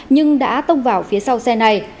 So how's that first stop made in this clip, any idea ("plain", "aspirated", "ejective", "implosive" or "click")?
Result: implosive